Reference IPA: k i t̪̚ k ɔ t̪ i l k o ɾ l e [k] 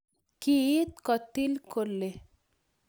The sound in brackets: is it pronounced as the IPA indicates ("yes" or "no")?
no